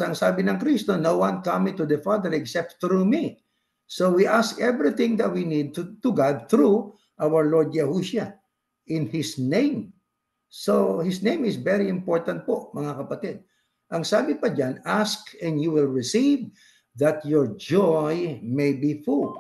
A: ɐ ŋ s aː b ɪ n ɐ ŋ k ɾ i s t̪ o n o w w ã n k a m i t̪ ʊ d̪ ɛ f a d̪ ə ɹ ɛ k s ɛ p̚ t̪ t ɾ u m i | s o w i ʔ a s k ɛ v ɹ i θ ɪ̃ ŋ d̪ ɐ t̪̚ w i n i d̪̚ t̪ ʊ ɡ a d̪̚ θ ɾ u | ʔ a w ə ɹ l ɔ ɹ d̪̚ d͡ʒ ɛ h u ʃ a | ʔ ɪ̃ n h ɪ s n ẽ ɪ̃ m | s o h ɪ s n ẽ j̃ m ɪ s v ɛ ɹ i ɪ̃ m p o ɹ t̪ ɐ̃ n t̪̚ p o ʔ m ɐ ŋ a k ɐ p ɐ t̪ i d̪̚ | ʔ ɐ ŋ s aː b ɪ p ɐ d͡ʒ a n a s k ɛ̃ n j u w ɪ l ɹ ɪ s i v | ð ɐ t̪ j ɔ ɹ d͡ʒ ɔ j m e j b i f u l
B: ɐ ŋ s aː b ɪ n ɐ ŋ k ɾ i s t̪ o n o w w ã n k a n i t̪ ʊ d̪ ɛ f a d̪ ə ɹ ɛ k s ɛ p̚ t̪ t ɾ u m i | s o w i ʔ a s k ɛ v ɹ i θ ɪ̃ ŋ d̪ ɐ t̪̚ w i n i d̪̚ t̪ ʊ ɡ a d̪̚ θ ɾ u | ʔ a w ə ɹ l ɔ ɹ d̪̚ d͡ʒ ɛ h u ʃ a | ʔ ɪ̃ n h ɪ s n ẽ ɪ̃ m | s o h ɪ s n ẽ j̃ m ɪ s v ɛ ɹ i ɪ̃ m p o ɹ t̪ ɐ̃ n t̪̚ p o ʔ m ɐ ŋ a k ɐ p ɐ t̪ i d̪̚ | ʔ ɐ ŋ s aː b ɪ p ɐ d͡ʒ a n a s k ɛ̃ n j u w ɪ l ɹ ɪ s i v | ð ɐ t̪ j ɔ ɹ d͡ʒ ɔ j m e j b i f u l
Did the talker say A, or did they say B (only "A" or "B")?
A